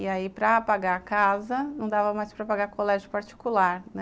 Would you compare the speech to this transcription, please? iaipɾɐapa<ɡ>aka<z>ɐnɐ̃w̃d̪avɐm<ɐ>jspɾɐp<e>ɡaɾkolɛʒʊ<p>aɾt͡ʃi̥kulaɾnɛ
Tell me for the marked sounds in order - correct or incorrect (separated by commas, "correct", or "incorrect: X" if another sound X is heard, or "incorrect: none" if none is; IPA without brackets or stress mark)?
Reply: correct, correct, incorrect: a, incorrect: a, correct